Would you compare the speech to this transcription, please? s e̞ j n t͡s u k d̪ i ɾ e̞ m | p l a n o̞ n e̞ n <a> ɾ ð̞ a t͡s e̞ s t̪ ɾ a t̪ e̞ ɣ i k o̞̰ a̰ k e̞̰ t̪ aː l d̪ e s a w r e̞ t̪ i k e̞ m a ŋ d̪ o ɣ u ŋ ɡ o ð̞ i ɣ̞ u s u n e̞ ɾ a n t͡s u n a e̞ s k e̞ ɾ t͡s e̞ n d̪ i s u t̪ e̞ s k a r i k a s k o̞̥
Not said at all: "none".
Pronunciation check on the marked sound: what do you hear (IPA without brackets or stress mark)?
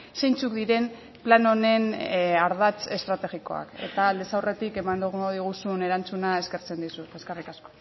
a